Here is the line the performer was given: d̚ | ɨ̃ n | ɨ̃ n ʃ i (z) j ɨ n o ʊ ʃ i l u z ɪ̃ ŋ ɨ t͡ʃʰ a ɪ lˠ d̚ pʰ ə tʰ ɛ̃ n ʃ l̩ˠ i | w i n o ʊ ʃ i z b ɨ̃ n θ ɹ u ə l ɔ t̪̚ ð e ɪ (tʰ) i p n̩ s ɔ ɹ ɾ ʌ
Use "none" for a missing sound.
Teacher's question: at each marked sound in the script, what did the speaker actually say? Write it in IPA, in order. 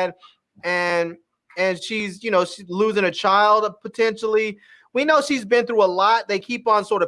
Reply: z, kʰ

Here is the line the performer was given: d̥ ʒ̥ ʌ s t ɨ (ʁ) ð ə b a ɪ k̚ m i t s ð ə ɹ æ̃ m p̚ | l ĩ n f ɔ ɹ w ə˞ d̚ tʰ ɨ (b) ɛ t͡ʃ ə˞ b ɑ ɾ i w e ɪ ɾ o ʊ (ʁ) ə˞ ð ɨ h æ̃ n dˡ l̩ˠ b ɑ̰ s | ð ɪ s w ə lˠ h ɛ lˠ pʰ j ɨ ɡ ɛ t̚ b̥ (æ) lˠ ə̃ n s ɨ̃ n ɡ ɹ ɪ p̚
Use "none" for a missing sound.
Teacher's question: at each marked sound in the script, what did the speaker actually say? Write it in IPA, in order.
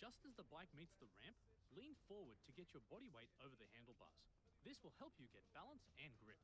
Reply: z, ɡ, v, æ

